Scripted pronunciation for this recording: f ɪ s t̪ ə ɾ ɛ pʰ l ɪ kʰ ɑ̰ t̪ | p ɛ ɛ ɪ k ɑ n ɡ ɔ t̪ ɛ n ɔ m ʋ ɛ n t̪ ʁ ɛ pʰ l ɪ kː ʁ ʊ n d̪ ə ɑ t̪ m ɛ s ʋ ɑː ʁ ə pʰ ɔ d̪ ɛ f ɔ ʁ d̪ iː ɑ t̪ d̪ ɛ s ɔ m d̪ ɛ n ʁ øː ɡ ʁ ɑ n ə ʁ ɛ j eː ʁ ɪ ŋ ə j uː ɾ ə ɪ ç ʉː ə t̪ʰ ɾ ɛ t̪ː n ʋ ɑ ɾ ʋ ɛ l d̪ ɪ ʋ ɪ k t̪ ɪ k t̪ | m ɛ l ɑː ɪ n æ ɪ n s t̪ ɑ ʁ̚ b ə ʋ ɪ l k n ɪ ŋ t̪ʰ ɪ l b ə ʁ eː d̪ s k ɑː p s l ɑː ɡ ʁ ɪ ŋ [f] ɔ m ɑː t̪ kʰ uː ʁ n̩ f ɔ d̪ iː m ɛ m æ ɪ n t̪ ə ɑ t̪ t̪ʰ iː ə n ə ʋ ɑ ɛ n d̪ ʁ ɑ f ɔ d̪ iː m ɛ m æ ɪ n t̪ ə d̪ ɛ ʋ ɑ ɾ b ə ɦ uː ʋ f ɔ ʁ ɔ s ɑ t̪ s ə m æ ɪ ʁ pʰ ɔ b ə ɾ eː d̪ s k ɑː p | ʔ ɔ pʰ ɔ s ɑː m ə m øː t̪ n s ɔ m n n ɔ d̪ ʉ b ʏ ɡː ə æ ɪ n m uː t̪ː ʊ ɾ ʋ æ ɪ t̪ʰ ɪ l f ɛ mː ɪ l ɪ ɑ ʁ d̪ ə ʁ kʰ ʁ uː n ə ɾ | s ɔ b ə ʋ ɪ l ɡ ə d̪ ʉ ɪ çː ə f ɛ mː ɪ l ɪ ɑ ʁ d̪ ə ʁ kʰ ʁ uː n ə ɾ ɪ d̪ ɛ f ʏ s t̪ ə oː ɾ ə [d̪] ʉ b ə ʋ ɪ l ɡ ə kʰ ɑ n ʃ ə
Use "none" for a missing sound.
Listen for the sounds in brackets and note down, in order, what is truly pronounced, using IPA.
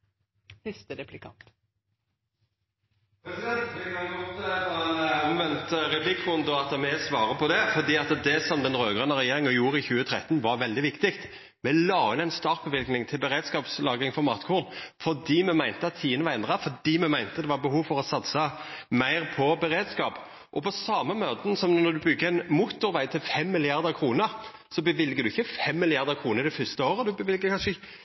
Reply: f, d̪

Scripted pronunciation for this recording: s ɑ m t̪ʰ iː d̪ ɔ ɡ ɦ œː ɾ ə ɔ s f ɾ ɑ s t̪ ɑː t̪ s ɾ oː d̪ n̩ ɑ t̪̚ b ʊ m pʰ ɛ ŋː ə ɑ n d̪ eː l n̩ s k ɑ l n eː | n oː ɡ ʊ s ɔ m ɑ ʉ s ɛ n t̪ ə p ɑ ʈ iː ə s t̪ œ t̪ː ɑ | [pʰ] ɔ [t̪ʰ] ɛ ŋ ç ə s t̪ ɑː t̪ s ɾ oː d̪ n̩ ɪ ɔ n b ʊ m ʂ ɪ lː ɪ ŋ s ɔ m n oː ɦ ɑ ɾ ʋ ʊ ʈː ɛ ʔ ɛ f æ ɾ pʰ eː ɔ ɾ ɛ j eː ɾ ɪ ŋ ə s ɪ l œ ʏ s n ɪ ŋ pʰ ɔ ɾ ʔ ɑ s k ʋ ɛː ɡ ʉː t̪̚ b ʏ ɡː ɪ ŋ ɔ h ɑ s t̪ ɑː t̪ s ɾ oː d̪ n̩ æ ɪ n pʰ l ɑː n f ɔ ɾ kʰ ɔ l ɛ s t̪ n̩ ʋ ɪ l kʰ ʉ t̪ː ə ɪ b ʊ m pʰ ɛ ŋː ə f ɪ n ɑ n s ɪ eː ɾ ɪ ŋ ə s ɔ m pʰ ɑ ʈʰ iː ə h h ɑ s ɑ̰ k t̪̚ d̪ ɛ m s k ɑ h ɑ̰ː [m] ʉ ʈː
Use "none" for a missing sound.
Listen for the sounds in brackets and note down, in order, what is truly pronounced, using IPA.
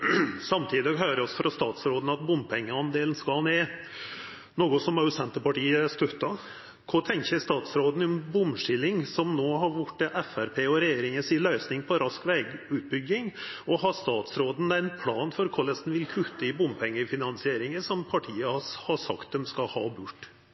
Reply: kʰ, t̪ʰ, b

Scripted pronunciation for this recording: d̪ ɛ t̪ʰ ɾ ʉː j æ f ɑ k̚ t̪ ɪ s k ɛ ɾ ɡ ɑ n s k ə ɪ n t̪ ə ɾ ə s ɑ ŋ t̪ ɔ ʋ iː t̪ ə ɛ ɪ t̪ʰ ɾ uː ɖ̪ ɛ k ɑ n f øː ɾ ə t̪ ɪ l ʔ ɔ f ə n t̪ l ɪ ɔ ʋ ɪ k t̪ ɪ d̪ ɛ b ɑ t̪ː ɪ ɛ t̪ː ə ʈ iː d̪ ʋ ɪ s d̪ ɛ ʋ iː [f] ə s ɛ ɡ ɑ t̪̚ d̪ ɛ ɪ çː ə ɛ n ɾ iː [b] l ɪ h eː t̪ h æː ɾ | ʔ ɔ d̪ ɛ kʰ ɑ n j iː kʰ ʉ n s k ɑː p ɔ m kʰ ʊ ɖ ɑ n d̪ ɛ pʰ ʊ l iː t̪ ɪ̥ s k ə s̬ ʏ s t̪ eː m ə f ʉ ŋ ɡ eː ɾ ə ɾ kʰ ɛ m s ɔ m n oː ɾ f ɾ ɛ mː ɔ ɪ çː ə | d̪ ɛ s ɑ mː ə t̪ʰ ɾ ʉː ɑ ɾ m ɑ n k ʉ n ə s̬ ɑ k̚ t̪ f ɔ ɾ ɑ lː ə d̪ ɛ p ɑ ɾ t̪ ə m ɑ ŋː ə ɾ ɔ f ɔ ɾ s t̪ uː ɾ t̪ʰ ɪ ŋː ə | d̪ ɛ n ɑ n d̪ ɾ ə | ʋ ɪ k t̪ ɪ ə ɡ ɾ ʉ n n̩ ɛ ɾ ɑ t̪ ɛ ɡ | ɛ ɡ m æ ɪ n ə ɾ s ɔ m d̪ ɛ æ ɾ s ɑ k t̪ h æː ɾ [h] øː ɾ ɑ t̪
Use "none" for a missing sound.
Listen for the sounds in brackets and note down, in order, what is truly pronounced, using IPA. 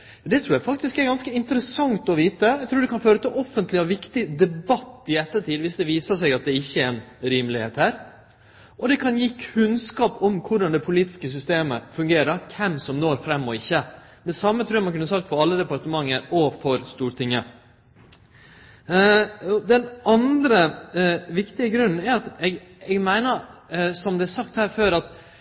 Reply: s, m, f

